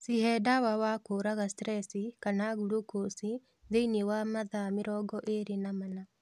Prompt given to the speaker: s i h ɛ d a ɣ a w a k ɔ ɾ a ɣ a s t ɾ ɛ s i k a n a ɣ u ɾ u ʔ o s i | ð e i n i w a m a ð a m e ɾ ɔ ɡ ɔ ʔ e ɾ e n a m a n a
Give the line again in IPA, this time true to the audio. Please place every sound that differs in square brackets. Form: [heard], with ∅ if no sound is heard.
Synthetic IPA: s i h ɛ d a [w] a w a k [o] ɾ a ɣ a s t ɾ ɛ s i k a n a ɣ u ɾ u [k] o s i | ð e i n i w a m a ð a m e ɾ ɔ ɡ ɔ ʔ e ɾ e n a m a n a